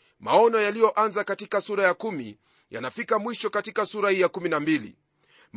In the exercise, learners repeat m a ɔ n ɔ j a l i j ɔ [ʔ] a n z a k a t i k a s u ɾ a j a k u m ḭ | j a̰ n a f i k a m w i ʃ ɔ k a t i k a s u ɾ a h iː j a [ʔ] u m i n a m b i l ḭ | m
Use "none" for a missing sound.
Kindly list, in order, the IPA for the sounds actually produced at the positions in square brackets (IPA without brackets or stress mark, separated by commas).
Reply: ʔ, k